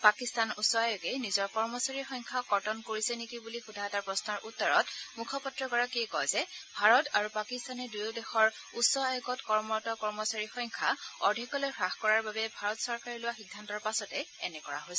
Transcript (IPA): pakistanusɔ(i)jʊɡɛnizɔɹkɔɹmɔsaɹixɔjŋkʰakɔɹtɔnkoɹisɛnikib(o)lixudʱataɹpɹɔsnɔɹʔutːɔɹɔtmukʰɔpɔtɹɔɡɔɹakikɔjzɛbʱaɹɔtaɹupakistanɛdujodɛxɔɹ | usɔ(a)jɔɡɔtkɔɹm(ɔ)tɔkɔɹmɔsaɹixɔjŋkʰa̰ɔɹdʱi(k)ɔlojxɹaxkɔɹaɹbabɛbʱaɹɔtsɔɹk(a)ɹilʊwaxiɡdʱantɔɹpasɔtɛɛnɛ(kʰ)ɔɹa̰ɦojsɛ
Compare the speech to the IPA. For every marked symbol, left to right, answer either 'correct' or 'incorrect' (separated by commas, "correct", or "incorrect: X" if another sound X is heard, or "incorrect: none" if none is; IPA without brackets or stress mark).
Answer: incorrect: a, incorrect: u, correct, correct, correct, correct, incorrect: k